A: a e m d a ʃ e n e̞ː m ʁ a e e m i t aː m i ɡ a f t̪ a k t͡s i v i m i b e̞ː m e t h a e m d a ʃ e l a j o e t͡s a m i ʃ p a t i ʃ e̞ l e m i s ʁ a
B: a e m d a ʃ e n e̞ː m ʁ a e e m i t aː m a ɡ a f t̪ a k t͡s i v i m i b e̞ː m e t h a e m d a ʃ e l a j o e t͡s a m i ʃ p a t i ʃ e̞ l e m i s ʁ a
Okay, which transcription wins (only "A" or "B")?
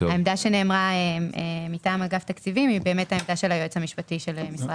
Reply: B